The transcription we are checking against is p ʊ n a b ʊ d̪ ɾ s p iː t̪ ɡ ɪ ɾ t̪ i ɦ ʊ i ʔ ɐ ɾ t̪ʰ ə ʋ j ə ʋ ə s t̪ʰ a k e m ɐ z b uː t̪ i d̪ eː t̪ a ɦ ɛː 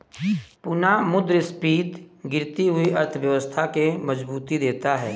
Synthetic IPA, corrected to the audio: p ʊ n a m ʊ d̪ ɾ s p iː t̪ ɡ ɪ ɾ t̪ i ɦ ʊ i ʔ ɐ ɾ t̪ʰ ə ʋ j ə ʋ ə s t̪ʰ a k e m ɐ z b uː t̪ i d̪ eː t̪ a ɦ ɛː